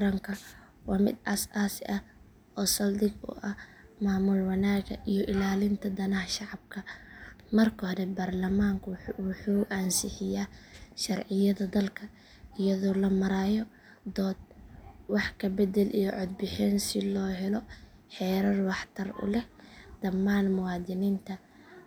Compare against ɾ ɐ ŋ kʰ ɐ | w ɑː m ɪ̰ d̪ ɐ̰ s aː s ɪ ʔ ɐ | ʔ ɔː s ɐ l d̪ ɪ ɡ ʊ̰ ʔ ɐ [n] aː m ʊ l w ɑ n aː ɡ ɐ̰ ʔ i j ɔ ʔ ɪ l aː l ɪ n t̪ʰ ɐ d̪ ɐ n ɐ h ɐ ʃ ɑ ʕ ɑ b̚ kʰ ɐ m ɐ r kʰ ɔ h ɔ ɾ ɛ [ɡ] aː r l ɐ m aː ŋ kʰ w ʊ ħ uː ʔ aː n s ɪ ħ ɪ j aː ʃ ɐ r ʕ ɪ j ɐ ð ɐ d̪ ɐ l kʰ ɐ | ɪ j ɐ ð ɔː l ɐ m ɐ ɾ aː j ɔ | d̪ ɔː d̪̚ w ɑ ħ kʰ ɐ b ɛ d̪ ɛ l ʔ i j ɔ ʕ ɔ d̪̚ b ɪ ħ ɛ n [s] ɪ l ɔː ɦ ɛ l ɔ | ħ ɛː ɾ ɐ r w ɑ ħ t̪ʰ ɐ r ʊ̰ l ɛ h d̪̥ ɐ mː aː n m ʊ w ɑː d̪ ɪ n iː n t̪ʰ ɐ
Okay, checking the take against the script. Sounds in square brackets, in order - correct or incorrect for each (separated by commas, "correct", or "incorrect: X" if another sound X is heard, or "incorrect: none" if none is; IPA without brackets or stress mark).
incorrect: m, incorrect: b, correct